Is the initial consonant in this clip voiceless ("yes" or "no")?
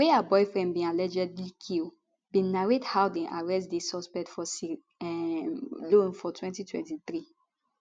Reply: no